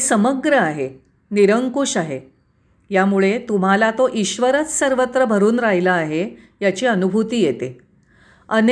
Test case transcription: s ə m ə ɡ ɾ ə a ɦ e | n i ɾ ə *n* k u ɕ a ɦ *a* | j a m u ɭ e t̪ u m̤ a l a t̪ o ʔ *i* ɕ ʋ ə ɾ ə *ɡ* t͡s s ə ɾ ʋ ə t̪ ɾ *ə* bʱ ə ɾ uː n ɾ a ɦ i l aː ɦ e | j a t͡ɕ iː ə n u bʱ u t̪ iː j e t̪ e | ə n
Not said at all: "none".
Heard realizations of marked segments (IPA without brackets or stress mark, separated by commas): ŋ, e, i, none, ə